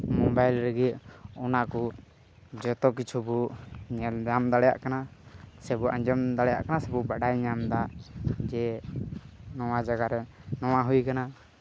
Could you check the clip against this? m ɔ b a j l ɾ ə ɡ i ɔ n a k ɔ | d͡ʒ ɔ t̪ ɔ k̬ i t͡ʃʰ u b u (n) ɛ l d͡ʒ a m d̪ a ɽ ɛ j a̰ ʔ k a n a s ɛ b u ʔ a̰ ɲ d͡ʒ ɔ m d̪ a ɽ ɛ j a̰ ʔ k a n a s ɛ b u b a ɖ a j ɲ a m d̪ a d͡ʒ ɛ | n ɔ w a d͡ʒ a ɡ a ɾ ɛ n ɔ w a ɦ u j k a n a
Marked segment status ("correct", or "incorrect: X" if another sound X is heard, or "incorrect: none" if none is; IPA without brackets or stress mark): incorrect: ɲ